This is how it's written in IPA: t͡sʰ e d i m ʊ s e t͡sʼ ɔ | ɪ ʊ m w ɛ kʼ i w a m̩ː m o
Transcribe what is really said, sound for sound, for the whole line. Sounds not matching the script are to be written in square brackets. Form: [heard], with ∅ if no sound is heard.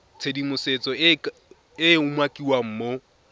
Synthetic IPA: t͡sʰ e d i m ʊ s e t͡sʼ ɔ | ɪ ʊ m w [a] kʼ i w a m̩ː m o